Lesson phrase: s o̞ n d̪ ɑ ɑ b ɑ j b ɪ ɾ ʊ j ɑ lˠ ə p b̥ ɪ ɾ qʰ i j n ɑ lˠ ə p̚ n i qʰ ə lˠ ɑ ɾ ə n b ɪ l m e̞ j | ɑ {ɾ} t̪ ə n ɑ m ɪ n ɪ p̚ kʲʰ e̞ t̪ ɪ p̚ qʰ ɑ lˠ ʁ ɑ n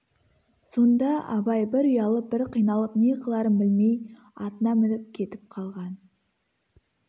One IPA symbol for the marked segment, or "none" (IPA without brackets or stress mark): none